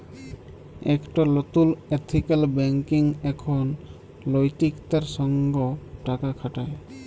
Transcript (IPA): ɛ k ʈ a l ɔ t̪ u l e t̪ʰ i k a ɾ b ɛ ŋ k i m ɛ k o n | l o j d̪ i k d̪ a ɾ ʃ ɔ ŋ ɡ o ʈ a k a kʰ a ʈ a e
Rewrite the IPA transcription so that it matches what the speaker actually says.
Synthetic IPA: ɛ k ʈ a l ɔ t̪ u l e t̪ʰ i k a l b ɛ ŋ k i ŋ ɛ kʰ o n | l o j t̪ i k t̪ a ɾ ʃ ɔ ŋ ɡ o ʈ a k a kʰ a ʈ a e